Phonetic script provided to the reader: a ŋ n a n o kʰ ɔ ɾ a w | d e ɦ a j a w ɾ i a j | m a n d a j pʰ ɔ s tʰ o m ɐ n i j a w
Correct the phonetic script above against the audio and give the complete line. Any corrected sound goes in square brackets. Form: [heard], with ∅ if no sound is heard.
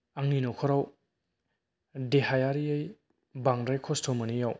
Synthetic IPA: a ŋ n [i] n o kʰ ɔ ɾ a w | d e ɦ a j a [∅] ɾ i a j | [b] a [ŋ] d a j [kʰ] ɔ s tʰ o m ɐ n i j a w